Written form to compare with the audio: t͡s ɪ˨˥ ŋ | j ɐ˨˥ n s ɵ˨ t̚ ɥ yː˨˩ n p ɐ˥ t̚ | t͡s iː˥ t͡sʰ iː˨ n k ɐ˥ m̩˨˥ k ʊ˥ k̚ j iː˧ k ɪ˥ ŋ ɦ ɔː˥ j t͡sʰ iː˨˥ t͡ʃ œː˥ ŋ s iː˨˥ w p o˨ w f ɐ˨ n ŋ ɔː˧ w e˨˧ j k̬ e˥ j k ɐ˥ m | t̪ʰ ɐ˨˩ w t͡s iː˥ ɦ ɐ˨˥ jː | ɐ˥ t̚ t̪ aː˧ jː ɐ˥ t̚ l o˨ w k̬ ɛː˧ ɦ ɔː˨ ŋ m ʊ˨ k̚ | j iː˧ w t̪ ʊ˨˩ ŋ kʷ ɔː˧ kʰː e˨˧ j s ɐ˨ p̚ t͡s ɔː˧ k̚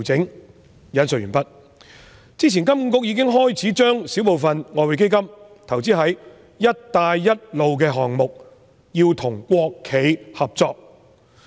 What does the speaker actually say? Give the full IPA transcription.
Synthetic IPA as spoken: t͡s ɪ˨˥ ŋ | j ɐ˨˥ n s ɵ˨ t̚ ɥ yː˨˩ n p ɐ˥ t̚ | t͡s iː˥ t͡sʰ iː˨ n k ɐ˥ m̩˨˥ k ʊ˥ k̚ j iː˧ k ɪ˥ ŋ ɦ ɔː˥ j t͡sʰ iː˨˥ t͡ʃ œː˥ ŋ s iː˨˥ w p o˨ w f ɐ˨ n ŋ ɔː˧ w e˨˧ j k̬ e˥ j k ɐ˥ m | t̪ʰ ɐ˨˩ w t͡s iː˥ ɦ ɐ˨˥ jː | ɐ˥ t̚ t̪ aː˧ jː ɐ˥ t̚ l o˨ w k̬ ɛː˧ ɦ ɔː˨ ŋ m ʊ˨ k̚ | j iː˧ w t̪ʰ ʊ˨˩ ŋ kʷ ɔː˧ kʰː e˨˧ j h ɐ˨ p̚ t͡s ɔː˧ k̚